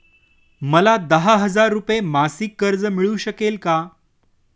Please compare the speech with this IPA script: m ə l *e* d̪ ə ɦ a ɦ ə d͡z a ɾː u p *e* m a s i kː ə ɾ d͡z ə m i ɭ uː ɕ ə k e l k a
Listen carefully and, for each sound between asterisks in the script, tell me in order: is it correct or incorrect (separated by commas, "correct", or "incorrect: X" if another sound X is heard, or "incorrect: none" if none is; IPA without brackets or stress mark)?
incorrect: a, correct